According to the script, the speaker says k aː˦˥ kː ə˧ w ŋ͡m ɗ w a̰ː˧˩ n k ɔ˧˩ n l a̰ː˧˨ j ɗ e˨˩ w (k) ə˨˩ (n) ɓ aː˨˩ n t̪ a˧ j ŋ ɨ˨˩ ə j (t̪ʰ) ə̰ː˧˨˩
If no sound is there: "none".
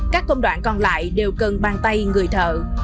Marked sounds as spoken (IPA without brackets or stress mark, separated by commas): k, n, t̪ʰ